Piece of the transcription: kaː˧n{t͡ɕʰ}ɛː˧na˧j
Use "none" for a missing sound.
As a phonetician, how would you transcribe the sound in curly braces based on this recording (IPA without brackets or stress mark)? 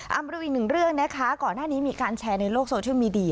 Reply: t͡ɕʰ